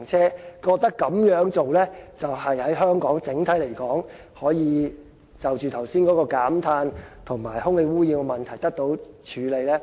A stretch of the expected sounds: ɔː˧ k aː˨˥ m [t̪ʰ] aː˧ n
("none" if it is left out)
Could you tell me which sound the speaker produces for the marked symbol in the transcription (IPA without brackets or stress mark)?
t̪ʰ